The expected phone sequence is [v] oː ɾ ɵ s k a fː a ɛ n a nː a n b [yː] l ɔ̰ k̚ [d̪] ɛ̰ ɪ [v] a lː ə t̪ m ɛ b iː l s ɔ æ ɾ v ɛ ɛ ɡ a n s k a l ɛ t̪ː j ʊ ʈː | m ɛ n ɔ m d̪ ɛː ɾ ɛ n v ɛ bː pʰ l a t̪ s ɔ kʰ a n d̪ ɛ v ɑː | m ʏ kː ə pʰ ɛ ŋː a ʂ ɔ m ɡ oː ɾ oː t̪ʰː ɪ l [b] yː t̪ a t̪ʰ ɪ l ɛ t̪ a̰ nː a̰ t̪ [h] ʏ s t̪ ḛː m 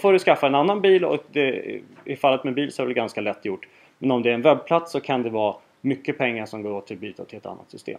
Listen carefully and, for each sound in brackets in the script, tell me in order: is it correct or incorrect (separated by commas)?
incorrect, incorrect, correct, incorrect, correct, incorrect